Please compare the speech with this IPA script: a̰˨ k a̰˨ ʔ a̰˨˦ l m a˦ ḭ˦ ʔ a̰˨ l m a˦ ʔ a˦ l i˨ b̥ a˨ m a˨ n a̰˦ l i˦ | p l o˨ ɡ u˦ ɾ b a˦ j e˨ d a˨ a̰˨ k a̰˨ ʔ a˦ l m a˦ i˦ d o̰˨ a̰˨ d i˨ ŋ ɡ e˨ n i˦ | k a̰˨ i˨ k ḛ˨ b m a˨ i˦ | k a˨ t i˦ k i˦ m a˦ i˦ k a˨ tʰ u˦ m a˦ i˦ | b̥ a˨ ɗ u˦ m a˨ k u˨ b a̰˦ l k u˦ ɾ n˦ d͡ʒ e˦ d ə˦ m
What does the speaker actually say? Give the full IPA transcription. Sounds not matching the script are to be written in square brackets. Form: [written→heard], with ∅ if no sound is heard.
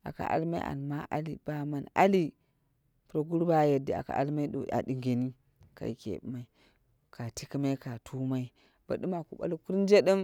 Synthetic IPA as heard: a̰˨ k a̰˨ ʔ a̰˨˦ l m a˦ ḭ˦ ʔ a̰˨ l m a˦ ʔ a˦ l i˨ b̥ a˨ m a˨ n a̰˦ l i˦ | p [l→ɾ] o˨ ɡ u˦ ɾ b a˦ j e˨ d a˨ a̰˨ k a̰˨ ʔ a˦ l m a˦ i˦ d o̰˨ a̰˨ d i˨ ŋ ɡ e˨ n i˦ | k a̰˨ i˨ k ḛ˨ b m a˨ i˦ | k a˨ t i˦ k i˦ m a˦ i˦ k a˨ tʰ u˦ m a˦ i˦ | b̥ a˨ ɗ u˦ m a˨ k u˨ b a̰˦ l k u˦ ɾ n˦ d͡ʒ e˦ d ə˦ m